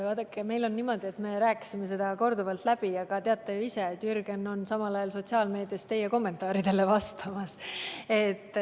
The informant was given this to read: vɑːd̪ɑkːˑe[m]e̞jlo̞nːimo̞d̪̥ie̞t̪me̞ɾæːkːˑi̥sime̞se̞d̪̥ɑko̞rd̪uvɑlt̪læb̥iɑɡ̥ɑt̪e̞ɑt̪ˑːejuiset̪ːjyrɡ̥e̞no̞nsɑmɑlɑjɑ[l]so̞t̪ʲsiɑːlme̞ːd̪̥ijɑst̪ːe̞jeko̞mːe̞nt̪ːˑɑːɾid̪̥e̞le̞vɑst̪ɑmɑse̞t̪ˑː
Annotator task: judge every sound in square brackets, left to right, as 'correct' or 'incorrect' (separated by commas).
correct, correct